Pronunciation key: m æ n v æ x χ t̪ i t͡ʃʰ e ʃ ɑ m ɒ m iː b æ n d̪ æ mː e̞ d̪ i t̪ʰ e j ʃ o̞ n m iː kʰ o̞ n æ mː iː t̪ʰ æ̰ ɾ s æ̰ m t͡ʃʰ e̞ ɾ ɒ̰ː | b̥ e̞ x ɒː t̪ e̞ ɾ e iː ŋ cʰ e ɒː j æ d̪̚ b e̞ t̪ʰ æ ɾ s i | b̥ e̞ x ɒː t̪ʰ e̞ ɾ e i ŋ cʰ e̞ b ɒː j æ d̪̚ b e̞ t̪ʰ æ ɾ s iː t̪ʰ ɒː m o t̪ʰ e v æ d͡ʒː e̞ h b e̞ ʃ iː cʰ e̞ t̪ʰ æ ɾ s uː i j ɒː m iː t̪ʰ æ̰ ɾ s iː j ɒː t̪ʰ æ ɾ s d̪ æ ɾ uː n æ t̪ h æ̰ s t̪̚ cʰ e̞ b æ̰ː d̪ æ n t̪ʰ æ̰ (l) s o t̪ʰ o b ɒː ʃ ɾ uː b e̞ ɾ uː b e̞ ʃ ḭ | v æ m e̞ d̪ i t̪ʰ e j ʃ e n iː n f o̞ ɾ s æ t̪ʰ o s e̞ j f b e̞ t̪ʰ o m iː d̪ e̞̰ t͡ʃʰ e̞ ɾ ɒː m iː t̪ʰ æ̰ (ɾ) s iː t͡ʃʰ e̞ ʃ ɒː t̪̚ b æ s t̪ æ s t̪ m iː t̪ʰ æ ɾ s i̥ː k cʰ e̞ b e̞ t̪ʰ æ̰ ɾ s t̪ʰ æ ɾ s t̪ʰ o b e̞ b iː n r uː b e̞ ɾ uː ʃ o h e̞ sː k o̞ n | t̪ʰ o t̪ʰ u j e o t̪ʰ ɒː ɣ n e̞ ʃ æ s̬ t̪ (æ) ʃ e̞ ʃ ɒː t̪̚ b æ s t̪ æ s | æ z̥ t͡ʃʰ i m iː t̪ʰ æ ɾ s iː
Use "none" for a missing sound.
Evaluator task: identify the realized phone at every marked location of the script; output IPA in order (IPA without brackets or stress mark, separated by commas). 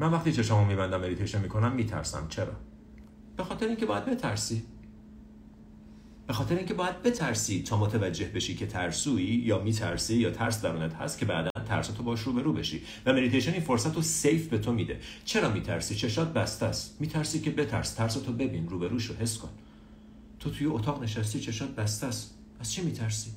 ɾ, ɾ, i